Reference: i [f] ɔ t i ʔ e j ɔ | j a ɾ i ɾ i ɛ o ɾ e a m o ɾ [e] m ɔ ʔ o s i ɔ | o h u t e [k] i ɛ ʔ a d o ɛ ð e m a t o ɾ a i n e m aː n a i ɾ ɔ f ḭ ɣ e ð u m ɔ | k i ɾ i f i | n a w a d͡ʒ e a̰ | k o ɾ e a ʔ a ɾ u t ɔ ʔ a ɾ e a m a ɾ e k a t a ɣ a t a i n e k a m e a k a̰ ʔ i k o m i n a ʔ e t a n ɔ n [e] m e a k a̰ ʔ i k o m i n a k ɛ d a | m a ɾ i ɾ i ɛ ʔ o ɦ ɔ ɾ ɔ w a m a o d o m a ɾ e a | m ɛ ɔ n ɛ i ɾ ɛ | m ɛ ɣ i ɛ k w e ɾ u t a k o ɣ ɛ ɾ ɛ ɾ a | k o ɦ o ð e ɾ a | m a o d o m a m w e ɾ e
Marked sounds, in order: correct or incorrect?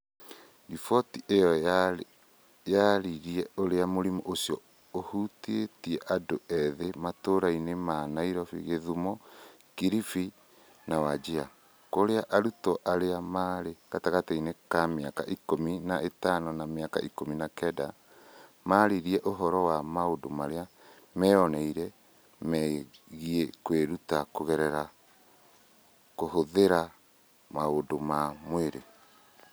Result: correct, incorrect: i, incorrect: t, incorrect: a

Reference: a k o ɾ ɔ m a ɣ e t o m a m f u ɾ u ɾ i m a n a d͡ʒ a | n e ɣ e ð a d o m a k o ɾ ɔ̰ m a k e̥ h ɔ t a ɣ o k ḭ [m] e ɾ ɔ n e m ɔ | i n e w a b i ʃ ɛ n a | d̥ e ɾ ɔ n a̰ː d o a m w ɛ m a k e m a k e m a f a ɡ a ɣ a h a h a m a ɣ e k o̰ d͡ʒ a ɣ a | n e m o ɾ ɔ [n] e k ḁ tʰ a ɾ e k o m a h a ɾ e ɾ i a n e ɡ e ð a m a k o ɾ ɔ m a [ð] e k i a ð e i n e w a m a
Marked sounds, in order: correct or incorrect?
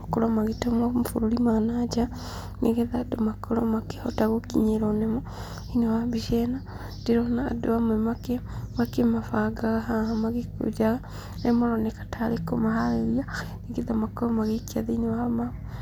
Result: incorrect: ɲ, correct, incorrect: ɣ

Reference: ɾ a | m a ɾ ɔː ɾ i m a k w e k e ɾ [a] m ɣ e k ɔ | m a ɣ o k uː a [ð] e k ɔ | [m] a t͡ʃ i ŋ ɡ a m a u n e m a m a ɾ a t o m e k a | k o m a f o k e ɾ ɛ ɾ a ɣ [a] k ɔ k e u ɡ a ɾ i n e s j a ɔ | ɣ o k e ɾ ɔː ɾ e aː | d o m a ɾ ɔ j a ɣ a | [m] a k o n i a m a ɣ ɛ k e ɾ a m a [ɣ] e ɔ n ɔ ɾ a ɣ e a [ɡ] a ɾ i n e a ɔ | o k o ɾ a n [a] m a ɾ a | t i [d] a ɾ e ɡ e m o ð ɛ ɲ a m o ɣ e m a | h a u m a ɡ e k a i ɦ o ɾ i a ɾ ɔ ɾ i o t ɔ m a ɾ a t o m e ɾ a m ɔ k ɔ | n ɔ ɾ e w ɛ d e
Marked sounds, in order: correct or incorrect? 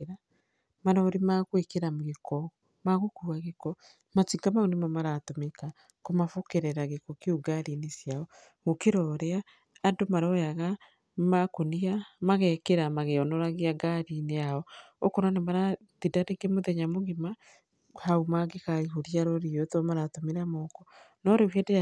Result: correct, incorrect: ɣ, correct, incorrect: e, correct, correct, correct, incorrect: e, correct

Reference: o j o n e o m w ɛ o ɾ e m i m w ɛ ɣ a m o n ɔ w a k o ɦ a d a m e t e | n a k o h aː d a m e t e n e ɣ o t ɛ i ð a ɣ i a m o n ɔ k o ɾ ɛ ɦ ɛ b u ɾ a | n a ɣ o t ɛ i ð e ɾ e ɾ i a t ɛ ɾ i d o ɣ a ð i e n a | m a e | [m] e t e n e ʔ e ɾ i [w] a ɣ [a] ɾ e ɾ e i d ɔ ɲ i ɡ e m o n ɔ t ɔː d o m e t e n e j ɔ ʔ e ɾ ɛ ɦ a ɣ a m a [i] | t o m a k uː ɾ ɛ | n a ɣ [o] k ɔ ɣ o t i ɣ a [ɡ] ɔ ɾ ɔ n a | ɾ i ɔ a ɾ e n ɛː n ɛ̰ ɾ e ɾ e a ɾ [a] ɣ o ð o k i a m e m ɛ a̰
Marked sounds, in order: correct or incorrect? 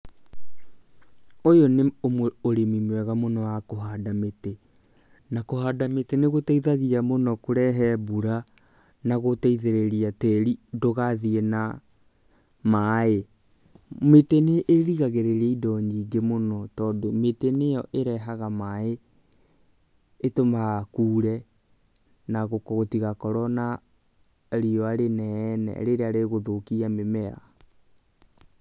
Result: correct, incorrect: ɣ, incorrect: e, incorrect: e, correct, incorrect: k, incorrect: e

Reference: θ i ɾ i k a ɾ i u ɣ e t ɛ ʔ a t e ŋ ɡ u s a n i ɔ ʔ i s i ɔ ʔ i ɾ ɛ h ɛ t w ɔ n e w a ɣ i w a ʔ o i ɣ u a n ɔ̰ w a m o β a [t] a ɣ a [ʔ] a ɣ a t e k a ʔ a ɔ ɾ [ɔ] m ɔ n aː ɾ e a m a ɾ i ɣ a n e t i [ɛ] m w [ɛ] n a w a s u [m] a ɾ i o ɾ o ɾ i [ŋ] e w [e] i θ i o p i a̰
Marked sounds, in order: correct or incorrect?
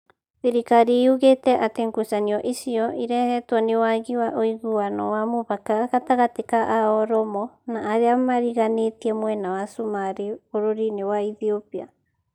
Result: incorrect: k, incorrect: t, correct, correct, correct, correct, incorrect: n, incorrect: a

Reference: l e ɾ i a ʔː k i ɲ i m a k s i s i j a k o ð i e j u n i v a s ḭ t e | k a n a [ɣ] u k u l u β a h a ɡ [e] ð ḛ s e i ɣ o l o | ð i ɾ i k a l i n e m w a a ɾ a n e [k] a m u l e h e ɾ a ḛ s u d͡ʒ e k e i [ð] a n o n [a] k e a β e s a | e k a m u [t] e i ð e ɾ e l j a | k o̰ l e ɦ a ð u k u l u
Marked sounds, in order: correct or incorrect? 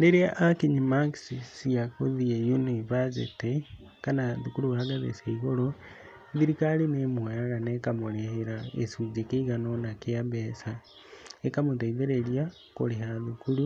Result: incorrect: ð, incorrect: a, correct, incorrect: ɣ, correct, correct

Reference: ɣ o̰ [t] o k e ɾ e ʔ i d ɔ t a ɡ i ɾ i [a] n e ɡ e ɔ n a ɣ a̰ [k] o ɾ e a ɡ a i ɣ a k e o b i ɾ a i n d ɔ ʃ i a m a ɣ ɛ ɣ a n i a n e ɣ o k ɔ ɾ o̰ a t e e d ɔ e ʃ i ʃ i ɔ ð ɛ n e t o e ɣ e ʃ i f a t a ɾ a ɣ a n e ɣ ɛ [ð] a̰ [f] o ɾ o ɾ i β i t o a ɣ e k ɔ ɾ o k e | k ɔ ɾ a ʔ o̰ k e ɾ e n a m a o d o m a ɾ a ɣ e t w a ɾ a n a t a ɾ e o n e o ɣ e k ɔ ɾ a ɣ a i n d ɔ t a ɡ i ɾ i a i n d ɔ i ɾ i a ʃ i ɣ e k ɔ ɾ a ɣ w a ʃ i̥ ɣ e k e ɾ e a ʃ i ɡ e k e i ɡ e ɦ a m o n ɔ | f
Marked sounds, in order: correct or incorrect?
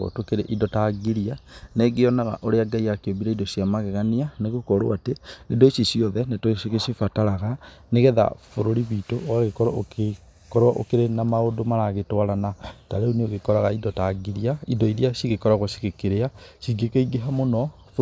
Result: correct, correct, incorrect: ʔ, correct, correct

